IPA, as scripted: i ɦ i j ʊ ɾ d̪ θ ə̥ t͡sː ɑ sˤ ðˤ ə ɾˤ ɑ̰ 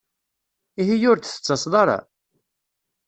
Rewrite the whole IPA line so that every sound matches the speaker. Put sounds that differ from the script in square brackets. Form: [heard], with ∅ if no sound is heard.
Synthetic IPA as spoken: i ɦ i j ʊ ɾ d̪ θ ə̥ t͡sː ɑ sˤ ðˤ [ɑ] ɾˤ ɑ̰